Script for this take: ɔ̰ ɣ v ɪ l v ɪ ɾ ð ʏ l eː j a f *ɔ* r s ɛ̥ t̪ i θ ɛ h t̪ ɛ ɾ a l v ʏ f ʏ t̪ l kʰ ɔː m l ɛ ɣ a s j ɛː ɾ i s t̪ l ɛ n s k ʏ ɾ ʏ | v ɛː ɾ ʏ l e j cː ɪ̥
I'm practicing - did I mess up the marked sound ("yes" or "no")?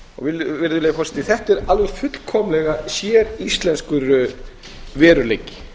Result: no